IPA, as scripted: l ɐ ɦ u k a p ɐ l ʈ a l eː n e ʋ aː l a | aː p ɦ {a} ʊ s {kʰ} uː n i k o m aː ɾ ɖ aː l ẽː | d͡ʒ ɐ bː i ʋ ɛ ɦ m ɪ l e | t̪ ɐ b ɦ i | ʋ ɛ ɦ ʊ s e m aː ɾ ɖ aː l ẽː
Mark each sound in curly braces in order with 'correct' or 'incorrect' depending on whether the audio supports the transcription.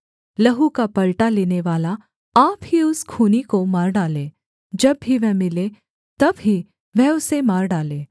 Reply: incorrect, correct

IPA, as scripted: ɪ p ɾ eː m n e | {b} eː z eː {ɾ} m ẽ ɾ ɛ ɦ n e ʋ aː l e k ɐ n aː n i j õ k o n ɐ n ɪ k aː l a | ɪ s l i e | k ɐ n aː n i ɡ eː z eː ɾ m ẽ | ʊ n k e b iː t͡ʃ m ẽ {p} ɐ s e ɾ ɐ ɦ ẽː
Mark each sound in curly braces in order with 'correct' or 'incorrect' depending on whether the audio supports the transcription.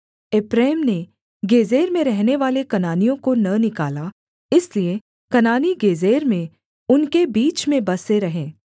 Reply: incorrect, correct, incorrect

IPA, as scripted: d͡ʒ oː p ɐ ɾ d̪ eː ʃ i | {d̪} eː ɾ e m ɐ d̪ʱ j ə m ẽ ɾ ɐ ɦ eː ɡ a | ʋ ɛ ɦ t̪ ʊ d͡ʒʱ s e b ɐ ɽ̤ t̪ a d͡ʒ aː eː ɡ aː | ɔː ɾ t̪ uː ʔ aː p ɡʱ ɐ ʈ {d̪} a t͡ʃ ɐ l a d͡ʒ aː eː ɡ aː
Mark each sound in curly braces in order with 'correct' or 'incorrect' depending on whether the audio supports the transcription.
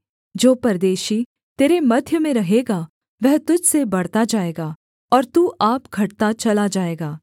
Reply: incorrect, incorrect

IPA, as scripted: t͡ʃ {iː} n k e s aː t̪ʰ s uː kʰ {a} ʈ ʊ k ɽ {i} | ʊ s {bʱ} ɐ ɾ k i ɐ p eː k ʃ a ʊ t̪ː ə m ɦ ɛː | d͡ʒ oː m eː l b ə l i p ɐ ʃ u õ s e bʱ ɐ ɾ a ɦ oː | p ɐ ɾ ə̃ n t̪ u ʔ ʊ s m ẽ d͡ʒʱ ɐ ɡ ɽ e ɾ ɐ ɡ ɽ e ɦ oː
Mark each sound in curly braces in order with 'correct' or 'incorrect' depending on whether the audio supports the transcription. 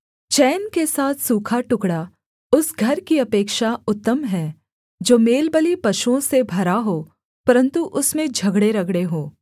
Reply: incorrect, correct, incorrect, incorrect

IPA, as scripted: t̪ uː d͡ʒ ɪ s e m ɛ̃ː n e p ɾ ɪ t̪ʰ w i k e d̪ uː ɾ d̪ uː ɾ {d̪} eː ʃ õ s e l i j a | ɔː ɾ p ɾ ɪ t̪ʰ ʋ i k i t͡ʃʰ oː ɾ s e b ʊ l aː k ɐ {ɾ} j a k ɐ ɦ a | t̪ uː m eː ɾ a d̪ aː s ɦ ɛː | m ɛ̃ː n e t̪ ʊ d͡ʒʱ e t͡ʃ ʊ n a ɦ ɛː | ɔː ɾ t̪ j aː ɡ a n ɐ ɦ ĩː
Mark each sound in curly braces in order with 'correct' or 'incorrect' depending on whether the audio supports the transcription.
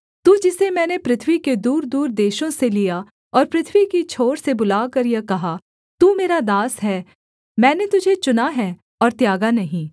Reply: correct, correct

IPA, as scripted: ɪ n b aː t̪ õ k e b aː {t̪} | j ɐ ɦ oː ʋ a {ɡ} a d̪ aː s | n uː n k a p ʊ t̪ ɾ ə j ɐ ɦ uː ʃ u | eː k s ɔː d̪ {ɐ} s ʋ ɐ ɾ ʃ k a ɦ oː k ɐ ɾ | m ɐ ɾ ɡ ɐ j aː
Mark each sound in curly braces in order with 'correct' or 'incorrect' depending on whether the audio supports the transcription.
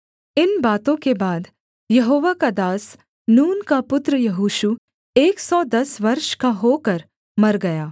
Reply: incorrect, incorrect, correct

